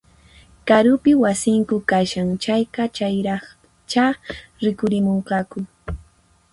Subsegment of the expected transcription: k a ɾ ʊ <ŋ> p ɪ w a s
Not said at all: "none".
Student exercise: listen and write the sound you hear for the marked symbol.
none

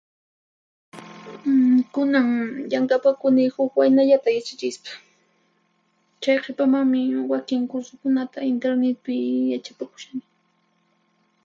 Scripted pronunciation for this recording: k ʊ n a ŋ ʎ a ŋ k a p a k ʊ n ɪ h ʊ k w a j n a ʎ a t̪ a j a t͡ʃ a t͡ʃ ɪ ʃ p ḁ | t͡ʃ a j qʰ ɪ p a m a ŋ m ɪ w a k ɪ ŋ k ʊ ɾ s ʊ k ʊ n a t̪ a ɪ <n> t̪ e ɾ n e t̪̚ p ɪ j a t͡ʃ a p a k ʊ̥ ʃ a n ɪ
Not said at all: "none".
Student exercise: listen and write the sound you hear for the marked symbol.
n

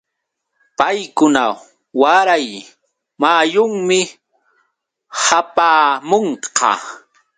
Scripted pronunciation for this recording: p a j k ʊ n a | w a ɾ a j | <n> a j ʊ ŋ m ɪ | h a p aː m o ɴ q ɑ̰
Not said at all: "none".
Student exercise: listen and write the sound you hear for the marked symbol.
m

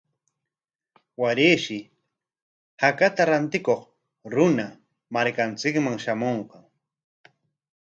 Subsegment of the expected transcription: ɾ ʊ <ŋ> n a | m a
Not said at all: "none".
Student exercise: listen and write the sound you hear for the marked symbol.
none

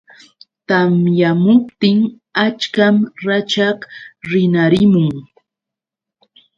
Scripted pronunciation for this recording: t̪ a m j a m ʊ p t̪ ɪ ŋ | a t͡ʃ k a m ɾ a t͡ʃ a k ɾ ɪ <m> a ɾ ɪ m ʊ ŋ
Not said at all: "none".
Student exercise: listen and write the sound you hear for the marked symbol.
n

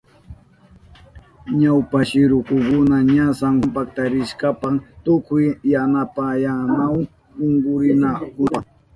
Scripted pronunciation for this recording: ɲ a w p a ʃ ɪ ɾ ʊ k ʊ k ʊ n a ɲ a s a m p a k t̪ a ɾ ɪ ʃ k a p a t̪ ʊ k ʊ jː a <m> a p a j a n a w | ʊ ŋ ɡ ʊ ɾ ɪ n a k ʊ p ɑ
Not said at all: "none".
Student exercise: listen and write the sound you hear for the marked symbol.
n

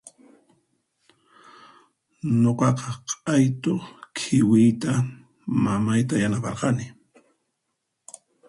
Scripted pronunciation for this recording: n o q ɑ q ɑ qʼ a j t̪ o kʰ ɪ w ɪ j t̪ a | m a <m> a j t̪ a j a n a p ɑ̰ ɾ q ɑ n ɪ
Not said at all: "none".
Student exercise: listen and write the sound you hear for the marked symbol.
m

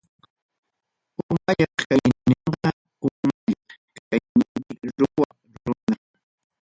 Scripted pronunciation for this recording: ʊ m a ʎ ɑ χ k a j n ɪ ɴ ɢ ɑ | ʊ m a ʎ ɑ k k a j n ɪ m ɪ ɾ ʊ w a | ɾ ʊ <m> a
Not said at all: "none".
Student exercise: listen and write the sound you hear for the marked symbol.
n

